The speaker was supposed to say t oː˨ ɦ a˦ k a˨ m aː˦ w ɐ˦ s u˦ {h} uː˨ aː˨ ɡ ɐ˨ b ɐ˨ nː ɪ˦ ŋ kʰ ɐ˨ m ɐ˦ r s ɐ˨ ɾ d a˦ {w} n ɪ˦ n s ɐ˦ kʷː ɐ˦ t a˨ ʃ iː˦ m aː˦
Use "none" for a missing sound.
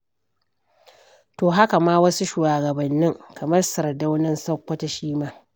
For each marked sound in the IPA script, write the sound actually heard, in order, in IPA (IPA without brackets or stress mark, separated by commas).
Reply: ʃ, w